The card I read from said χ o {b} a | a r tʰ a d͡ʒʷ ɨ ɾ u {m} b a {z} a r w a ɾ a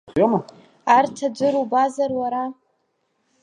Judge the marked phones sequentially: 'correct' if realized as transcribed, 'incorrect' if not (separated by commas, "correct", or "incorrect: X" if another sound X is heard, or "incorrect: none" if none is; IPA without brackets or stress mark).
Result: incorrect: m, incorrect: none, correct